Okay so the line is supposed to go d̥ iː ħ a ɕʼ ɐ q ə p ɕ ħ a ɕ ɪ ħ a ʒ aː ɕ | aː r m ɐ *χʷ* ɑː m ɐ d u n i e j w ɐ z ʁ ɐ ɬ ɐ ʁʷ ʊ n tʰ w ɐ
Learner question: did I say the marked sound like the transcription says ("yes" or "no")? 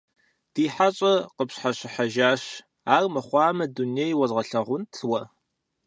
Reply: yes